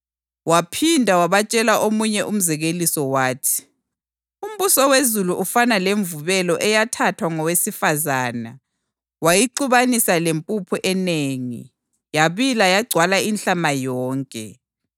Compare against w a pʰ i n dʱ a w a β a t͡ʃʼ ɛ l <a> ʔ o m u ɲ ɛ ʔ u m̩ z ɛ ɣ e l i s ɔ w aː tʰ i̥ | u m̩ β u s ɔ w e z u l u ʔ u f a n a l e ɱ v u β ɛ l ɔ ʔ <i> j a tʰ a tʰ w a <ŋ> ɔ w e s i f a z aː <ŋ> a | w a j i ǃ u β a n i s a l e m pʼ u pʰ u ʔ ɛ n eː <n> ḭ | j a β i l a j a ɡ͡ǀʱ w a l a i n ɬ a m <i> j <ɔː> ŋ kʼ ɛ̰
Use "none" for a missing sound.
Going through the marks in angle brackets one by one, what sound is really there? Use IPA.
a, ɛ, ŋ, n, ŋ, a, ɔː

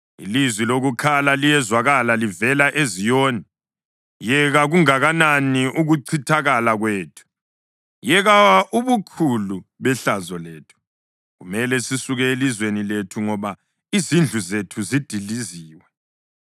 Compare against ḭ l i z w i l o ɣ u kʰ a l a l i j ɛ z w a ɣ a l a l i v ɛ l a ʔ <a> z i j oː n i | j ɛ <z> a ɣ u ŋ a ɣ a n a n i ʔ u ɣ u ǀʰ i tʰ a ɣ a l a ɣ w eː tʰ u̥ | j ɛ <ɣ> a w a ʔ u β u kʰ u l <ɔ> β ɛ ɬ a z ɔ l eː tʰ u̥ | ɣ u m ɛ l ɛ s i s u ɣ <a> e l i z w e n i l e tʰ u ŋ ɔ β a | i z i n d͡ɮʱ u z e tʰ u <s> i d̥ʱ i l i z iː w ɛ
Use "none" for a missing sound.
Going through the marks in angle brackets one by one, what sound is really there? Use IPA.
e, ɣ, ɣ, u, ɛ, z

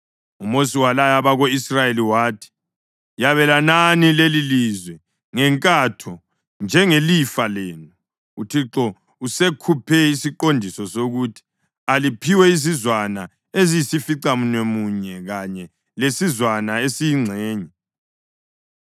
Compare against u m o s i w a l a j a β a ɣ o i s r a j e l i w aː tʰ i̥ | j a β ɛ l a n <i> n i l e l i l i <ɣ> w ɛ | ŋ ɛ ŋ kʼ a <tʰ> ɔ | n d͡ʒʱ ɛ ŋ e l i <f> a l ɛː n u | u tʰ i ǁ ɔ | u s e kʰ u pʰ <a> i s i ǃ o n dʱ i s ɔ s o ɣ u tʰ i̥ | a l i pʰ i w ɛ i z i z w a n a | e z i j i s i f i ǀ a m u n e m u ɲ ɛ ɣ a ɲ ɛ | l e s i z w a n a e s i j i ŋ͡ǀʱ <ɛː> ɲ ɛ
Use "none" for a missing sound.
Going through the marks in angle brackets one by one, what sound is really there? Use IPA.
a, z, tʰ, f, ɛ, ɛː

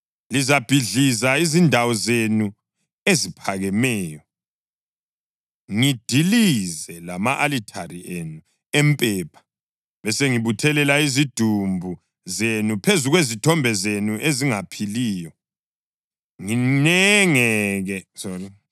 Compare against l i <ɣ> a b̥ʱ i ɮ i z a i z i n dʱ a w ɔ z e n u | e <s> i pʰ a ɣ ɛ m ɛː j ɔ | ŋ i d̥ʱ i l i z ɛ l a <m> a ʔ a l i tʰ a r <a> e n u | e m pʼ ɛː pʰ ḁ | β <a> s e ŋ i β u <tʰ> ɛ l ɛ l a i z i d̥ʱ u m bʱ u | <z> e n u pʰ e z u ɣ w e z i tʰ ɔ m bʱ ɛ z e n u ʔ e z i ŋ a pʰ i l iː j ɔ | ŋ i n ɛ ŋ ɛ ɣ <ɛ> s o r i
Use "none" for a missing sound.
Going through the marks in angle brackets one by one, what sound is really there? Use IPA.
z, z, m, i, ɛ, tʰ, z, ɛ

